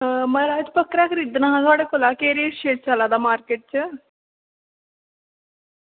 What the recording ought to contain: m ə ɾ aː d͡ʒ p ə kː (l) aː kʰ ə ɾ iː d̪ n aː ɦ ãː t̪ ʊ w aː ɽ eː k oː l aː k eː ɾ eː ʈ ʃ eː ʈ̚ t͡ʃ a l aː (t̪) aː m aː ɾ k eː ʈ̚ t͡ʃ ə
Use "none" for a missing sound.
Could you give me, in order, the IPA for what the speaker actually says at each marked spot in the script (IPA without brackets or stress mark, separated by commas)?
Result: ɾ, d̪